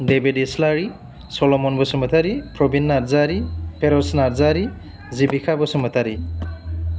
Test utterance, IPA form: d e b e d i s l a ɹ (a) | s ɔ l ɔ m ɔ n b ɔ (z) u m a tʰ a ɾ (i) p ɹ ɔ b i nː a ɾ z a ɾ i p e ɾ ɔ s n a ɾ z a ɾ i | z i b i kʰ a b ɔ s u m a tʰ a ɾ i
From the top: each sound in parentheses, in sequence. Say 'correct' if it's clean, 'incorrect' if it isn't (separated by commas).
incorrect, incorrect, correct